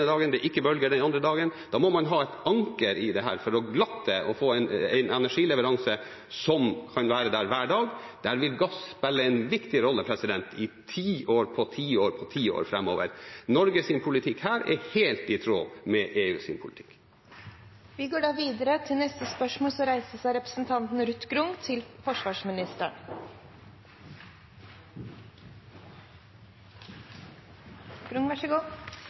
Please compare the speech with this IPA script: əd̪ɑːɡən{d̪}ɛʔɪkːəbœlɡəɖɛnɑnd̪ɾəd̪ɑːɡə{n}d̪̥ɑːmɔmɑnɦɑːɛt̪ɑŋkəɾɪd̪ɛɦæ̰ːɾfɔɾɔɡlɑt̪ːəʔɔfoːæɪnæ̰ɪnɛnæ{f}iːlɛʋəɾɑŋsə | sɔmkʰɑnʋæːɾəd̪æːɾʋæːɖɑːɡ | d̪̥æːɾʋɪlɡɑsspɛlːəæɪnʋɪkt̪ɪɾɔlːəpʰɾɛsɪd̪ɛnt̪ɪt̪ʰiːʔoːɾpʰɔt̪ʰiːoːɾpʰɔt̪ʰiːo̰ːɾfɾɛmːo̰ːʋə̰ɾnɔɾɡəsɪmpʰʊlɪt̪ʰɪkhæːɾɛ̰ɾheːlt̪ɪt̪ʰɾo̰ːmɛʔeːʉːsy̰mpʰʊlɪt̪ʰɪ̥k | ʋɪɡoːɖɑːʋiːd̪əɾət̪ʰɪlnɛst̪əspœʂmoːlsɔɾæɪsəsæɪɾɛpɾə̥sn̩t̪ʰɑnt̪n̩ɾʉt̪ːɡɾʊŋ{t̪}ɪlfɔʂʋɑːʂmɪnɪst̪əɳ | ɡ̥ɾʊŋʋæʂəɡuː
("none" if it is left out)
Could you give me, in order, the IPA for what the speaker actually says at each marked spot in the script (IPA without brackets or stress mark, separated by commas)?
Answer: d̪, n, ʂ, t̪ʰ